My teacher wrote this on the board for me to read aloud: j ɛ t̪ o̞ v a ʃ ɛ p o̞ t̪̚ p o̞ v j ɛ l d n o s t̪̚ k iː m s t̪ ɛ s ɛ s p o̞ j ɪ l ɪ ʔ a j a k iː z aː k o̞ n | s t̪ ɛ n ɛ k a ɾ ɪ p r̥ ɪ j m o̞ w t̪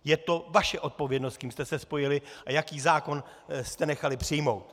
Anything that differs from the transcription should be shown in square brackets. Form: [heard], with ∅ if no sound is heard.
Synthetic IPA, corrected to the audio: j ɛ t̪ o̞ v a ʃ ɛ [ʔ] o̞ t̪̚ p o̞ v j ɛ [∅] d n o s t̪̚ k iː m s t̪ ɛ s ɛ s p o̞ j ɪ l ɪ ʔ a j a k iː z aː k o̞ n | s t̪ ɛ n ɛ [x] a [l] ɪ p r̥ ɪ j m o̞ w t̪